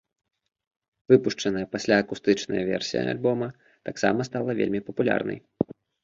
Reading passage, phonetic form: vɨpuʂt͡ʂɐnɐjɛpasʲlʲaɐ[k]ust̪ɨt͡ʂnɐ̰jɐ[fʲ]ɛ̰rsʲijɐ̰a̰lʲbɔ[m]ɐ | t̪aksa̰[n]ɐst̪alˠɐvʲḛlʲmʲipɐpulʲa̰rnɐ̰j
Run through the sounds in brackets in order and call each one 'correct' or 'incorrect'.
correct, incorrect: vʲ, correct, incorrect: m

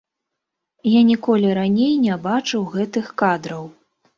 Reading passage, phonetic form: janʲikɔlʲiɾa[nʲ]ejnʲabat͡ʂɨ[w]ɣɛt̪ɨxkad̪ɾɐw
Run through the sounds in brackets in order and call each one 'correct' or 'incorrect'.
correct, correct

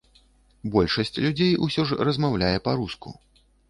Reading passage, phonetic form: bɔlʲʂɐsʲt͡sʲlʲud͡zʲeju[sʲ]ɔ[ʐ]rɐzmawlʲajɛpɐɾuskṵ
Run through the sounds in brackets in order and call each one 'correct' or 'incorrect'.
correct, correct

